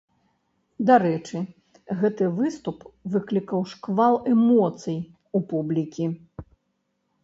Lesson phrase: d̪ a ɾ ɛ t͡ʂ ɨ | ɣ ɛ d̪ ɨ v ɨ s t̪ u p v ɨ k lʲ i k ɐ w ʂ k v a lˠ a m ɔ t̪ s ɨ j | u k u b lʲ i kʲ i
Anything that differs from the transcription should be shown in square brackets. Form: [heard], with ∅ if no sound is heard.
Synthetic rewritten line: d̪ a ɾ ɛ t͡ʂ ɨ | ɣ ɛ [t̪] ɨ v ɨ s t̪ u p v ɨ k lʲ i k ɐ w ʂ k v a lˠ [ɛ] m ɔ t̪ s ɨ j | u [p] u b lʲ i kʲ i